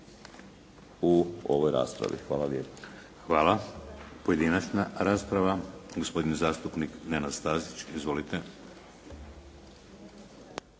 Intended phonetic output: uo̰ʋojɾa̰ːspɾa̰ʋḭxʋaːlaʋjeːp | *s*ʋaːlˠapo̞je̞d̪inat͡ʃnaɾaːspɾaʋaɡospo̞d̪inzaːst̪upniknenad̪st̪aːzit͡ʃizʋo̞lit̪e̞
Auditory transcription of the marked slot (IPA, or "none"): x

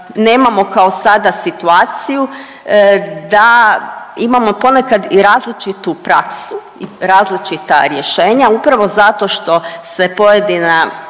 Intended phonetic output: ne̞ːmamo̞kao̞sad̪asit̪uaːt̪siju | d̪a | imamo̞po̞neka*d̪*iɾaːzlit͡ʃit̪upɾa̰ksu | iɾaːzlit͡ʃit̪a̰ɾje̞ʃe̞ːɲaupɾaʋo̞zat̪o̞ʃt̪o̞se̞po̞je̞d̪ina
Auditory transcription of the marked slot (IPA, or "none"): d̪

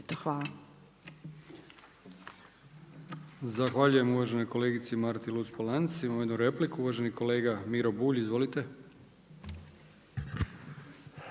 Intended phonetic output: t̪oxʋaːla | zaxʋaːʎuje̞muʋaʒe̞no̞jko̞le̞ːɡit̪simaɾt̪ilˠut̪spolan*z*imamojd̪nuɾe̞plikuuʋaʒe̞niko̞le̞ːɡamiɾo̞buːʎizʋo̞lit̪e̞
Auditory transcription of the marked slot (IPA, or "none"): s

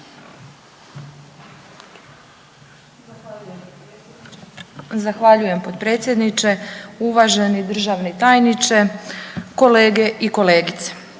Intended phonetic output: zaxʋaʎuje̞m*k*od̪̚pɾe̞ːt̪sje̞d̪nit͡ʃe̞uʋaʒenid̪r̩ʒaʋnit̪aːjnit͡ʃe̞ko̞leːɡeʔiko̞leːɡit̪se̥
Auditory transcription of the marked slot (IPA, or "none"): p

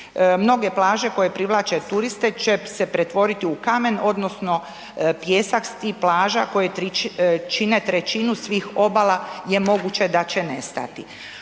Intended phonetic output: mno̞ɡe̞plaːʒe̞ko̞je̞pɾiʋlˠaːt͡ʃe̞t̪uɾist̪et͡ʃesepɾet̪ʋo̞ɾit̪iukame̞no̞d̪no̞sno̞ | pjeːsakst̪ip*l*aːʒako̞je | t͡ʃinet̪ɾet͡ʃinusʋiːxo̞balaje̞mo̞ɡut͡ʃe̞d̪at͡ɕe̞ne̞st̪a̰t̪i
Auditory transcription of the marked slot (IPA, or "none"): l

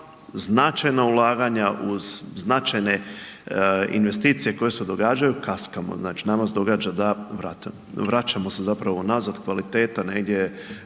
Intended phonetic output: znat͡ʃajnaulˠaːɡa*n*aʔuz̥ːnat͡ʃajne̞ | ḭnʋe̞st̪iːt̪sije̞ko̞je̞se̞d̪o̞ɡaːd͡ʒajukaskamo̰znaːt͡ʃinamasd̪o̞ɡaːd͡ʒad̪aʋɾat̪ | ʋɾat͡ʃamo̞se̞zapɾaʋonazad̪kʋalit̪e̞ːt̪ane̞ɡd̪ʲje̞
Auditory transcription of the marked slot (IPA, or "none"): ɲ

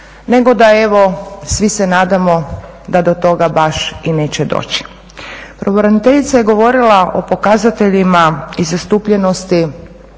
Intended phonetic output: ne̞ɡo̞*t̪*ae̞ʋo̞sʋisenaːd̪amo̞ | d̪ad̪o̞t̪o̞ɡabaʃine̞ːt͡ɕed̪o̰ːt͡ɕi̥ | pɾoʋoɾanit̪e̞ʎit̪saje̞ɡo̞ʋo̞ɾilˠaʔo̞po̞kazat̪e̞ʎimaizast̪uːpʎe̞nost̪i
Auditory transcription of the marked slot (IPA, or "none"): d̪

